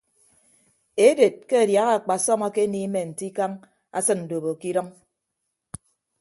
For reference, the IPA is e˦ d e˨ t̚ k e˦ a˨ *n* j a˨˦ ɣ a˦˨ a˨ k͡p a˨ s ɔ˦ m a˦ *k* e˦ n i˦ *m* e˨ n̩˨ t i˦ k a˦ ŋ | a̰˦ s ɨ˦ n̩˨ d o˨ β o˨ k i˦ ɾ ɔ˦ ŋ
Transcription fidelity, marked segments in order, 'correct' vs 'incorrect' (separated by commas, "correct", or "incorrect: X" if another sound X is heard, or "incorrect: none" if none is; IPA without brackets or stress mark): incorrect: d, correct, correct